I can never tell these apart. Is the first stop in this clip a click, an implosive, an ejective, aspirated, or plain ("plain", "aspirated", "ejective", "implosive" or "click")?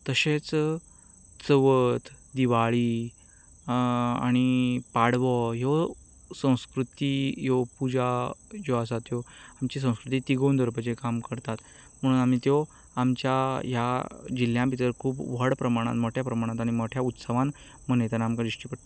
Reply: plain